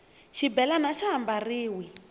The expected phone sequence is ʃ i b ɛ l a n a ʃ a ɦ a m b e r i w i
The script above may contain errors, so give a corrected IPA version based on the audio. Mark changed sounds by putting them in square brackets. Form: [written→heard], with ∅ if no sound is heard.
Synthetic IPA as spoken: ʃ i b ɛ l a n a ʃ a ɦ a m b [e→a] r [i→iː] w i